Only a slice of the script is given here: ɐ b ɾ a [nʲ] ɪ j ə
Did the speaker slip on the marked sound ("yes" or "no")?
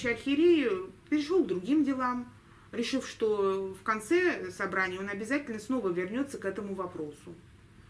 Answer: no